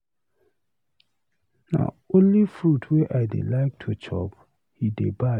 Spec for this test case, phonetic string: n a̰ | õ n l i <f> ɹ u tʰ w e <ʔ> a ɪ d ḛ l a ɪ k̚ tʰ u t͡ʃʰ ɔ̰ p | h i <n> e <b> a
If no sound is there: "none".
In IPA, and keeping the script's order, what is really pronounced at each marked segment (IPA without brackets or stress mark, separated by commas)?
f, ʔ, d, b